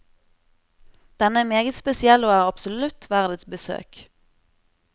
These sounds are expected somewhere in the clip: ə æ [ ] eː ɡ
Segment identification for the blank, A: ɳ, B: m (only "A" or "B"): B